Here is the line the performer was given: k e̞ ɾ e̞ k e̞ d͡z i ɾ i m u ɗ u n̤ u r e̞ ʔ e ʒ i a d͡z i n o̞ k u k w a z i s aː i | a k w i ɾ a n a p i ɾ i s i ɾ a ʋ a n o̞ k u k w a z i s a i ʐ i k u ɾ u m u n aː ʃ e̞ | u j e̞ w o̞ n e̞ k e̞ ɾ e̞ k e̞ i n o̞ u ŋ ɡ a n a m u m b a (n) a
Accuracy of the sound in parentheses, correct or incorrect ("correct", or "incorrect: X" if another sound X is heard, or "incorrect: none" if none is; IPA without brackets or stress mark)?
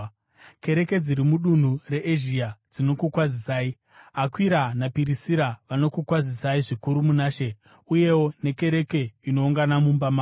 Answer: incorrect: m